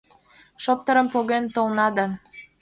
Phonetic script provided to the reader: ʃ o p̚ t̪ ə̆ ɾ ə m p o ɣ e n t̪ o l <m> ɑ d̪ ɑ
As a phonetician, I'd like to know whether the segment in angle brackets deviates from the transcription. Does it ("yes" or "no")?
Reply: yes